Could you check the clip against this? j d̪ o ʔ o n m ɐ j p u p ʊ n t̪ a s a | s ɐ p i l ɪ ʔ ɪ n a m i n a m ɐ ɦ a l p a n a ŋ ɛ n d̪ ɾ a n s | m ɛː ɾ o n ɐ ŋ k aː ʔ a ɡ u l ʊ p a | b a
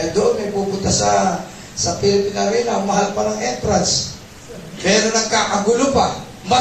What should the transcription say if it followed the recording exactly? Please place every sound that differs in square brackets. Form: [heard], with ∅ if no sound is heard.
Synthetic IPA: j d̪ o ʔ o n m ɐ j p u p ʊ n t̪ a s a | s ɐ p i l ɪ [p] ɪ n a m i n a m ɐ ɦ a l p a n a ŋ ɛ n [t̪] ɾ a n s | m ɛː ɾ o n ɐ ŋ k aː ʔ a ɡ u l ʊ p a | [m] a